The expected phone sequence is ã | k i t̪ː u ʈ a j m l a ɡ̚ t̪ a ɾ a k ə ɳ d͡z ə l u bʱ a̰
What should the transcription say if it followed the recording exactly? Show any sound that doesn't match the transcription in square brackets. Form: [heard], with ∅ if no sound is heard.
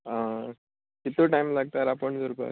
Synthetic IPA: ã | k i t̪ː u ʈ a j m l a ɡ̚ t̪ a ɾ a [p] ə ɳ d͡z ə [ɾ] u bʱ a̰